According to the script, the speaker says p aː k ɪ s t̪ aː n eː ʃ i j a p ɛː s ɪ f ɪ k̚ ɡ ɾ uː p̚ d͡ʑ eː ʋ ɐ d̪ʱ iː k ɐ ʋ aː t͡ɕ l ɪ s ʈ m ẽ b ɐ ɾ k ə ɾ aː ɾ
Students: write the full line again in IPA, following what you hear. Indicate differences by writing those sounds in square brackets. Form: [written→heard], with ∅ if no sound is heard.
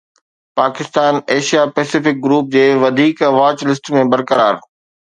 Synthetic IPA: p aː k ɪ s t̪ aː n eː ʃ i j a p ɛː s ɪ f ɪ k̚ ɡ ɾ uː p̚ d͡ʑ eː ʋ ɐ d̪ʱ iː k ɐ ʋ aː t͡ɕ l ɪ s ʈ m ẽ b ɐ ɾ k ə ɾ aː ɾ